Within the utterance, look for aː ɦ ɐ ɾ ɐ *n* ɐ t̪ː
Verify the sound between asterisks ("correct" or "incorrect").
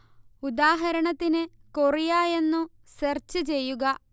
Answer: incorrect